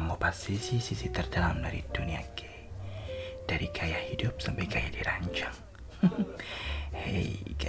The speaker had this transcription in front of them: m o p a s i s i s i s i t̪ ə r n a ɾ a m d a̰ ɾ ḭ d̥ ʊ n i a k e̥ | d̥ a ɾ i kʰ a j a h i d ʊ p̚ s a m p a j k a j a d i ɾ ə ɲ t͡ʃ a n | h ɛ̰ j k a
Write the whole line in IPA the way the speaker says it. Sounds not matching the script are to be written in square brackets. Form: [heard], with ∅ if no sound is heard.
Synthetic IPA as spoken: m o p a s i s i s i s i t̪ ə r [d] a [l] a m d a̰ ɾ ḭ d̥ [u] n i a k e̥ | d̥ a ɾ i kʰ a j a h i d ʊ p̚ s a m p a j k a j a d i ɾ [a] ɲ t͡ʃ a [ŋ] | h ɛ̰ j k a